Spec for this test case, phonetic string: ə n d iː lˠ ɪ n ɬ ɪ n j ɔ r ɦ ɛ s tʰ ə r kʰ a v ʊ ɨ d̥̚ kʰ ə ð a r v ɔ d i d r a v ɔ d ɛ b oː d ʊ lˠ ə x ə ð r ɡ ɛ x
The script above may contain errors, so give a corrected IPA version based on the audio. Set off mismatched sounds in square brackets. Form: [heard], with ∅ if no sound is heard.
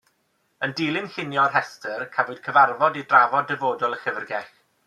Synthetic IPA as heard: ə n d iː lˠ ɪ n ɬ ɪ n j ɔ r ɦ ɛ s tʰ ə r kʰ a v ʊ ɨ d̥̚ kʰ ə [v] a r v ɔ d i d r a v ɔ d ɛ [v] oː d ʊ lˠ ə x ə [v] r ɡ ɛ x